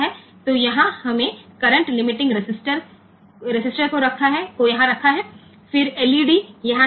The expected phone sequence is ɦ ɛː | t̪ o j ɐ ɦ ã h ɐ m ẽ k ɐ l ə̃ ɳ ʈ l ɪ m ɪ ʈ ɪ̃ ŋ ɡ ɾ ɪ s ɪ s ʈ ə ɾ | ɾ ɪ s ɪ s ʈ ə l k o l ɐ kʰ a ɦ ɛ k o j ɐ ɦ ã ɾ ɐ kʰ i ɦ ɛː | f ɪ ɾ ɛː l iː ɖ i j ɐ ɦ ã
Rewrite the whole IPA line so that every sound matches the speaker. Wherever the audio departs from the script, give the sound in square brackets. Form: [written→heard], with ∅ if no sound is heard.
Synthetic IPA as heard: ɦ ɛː | t̪ o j ɐ ɦ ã h ɐ m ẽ k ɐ [l→ɾ] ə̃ ɳ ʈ l ɪ m ɪ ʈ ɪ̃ ŋ ɡ ɾ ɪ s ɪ s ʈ ə ɾ | ɾ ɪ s ɪ s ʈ ə [l→ɾ] k o [l→ɾ] ɐ kʰ a ɦ ɛ k o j ɐ ɦ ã ɾ ɐ kʰ [i→a] ɦ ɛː | f ɪ ɾ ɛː l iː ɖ i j ɐ ɦ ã